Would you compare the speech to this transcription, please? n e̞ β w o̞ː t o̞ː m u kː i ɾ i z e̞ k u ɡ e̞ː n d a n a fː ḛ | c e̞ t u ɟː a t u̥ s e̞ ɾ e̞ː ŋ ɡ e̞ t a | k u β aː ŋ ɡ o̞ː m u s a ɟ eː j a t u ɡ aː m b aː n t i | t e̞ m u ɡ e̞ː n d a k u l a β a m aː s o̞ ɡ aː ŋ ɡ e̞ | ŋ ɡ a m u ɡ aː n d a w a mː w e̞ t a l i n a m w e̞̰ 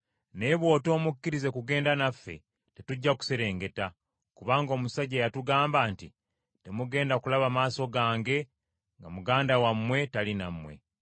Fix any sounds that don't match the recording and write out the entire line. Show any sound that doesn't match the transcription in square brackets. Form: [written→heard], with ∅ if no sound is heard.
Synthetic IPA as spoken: n e̞ β w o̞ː t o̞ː m u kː i ɾ i z e̞ k u ɡ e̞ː n d a n a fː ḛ | [c→t] e̞ t u ɟː a [t→k] u̥ s e̞ ɾ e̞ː ŋ ɡ e̞ t a | k u β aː ŋ ɡ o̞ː m u s a ɟ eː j a t u ɡ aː m b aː n t i | t e̞ m u ɡ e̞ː n d a k u l a β a m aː s o̞ ɡ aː ŋ ɡ e̞ | ŋ ɡ a m u ɡ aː n d a w a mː w e̞ t a l i n a m w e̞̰